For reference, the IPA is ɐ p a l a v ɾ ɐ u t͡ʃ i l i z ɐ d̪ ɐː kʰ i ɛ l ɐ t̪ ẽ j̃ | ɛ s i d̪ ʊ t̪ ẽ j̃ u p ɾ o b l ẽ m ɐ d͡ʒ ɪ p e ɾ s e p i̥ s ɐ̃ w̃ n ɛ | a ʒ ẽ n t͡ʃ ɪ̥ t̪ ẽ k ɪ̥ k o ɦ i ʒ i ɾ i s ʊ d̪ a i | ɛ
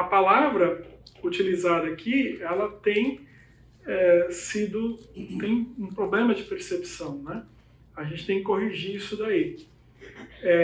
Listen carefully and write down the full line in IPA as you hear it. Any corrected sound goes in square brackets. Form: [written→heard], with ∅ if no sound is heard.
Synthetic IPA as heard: ɐ p a l a v ɾ ɐ u t͡ʃ i l i z [ɐ→a] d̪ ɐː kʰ i ɛ l ɐ t̪ ẽ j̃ | ɛ s i d̪ ʊ t̪ ẽ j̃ [u→ũ] p ɾ o b l ẽ m ɐ d͡ʒ ɪ p e ɾ s e p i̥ s ɐ̃ w̃ n ɛ | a ʒ ẽ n t͡ʃ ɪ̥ t̪ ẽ k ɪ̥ k o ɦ i ʒ i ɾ i s ʊ d̪ a i | ɛ